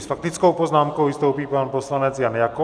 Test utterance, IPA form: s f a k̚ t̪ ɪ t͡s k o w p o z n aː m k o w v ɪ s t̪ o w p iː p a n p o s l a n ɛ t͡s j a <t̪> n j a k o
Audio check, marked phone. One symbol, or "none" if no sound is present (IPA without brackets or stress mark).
none